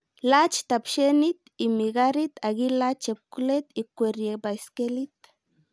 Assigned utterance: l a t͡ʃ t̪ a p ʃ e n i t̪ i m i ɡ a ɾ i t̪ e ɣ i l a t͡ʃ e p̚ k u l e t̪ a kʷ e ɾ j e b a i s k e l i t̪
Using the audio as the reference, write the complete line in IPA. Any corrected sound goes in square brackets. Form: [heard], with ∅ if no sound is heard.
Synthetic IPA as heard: l a t͡ʃ t̪ a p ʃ e n i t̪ i m i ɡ a ɾ i t̪ [a] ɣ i l a t͡ʃ e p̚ k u l e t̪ [i] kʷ e ɾ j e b a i s k e l i t̪